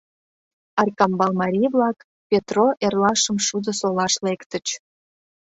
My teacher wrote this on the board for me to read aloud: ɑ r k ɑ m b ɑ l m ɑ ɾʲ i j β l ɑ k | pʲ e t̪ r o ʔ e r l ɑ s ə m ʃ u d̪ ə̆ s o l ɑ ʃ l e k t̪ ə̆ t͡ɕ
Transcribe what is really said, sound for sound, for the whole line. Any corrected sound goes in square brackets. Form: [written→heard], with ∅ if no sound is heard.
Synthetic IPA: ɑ r k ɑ m b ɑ l m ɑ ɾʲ i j β l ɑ k | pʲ e t̪ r o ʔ e r l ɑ [s→ʃ] ə m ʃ u d̪ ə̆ s o l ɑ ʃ l e k t̪ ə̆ t͡ɕ